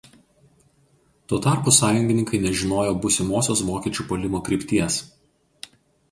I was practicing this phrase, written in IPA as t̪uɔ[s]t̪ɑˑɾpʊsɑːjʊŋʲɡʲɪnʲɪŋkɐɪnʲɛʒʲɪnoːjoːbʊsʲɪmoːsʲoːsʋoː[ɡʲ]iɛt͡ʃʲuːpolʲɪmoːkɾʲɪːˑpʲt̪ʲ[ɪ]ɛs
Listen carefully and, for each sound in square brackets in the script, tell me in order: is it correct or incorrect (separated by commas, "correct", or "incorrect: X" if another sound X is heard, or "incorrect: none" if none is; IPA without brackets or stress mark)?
incorrect: none, incorrect: kʲ, incorrect: i